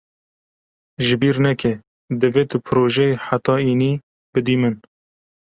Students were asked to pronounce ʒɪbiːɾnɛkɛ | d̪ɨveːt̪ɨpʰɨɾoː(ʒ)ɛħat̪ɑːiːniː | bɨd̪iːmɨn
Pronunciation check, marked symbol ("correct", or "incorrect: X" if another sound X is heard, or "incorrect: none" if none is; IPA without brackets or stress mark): correct